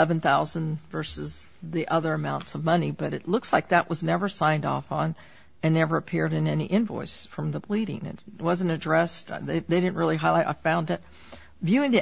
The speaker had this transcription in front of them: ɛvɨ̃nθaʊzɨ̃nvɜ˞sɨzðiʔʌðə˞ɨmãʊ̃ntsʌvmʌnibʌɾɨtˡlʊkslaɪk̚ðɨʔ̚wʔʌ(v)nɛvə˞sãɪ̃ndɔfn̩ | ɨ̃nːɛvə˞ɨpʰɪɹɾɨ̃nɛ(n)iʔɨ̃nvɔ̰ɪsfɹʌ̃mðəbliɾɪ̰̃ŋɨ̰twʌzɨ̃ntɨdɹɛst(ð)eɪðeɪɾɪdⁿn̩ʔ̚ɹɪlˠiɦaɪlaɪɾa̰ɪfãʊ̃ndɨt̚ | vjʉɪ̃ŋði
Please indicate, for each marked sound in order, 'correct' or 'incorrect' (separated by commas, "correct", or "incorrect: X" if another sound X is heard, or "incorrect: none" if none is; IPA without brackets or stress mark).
incorrect: z, correct, correct